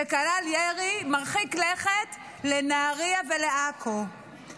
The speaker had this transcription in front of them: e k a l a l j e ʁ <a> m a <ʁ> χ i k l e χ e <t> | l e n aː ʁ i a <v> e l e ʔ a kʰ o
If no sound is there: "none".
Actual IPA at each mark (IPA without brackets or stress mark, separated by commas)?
i, ʁ, t, v